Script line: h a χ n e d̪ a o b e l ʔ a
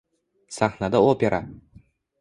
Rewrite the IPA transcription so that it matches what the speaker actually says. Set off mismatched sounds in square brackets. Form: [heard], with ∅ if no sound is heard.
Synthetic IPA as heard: [s] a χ n [a] d̪ a o [p] e [ɾ] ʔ a